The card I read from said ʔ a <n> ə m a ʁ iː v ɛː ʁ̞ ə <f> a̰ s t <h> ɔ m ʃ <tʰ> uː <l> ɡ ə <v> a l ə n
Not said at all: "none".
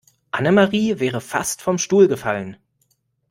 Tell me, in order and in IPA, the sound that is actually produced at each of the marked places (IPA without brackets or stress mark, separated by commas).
n, f, f, t, l, f